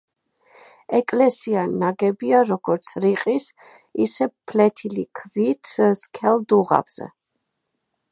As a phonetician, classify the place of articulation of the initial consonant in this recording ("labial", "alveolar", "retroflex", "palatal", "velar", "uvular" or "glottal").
velar